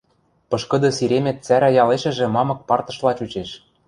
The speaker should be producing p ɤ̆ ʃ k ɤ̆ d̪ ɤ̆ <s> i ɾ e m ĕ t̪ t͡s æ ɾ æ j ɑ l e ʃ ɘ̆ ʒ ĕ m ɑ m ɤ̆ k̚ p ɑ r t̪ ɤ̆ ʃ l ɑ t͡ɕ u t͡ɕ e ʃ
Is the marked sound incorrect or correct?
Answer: correct